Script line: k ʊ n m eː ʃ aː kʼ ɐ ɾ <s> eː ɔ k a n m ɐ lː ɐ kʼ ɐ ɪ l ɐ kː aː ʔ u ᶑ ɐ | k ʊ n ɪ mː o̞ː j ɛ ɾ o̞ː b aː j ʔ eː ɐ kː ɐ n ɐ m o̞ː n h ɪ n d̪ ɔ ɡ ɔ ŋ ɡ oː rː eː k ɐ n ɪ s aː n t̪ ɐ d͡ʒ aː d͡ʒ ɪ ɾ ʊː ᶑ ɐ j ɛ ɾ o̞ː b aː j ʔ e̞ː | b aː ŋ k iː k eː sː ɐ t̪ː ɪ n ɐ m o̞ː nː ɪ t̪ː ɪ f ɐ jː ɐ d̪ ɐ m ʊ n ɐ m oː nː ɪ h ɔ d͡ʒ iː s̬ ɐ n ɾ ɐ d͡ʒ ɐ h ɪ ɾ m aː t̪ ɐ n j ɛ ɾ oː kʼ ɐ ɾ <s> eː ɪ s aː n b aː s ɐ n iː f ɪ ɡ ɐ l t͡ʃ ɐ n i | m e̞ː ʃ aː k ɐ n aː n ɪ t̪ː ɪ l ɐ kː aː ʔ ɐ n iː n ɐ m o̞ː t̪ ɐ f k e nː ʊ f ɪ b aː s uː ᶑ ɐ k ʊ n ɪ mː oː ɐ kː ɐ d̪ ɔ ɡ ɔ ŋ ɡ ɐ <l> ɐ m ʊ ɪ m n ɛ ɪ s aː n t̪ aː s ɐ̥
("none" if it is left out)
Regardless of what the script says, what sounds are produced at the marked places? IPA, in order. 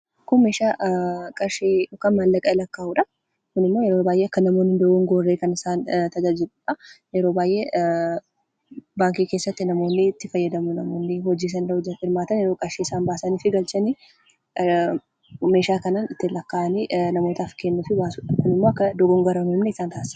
ʃ, ʃ, ɾ

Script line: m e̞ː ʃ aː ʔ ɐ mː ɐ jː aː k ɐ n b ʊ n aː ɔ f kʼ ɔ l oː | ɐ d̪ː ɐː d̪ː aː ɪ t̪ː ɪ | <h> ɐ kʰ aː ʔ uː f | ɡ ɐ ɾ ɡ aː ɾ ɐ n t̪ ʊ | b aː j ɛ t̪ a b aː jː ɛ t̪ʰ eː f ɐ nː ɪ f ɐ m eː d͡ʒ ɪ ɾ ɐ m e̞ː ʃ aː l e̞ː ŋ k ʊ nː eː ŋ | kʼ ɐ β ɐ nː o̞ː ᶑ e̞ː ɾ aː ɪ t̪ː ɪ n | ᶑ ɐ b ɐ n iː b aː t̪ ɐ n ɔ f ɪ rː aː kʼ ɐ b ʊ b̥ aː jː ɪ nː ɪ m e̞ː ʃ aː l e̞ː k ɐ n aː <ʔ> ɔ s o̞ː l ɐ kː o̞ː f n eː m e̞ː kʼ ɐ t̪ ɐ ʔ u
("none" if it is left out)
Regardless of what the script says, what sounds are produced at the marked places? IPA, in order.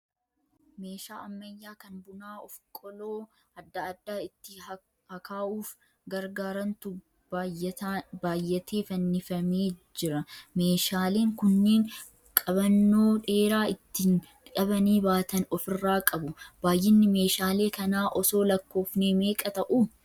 h, ʔ

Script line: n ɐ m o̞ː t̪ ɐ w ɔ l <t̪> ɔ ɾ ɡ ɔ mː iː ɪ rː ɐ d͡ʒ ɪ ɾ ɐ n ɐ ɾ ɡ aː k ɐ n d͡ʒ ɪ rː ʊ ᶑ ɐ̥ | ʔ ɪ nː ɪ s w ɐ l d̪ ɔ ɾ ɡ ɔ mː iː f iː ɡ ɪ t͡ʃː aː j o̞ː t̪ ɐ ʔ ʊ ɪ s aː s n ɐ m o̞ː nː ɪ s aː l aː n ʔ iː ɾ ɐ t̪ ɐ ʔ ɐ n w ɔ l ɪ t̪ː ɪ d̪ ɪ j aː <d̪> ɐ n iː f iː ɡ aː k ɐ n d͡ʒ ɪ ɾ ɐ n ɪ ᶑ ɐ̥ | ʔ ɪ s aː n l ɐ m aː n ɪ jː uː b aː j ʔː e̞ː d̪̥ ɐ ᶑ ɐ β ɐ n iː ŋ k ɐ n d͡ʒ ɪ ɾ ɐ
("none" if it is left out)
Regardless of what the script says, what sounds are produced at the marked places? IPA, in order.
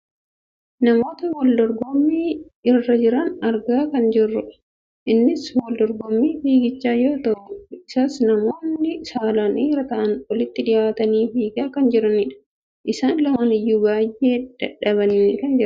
d̪, t̪

